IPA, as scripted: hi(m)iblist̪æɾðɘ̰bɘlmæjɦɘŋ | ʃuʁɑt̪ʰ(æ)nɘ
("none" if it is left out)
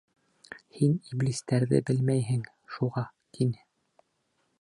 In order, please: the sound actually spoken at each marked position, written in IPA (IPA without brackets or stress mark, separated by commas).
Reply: n, i